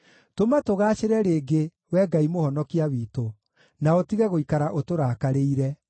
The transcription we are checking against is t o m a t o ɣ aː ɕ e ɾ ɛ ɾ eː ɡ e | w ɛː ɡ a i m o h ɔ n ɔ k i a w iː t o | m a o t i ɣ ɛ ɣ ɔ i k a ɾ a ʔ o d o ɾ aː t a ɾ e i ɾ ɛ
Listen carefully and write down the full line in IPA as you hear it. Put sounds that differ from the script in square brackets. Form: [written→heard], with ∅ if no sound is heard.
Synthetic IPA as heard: t o m a t o ɣ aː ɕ e ɾ ɛ ɾ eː ɡ e | w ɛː ɡ a i m o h ɔ n ɔ k i a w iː t o | [m→n] a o t i ɣ ɛ ɣ [ɔ→o] i k a ɾ a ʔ o [d→t] o ɾ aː [t→k] a ɾ e i ɾ ɛ